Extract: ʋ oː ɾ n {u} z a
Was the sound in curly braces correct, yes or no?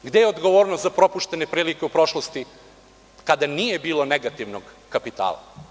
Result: no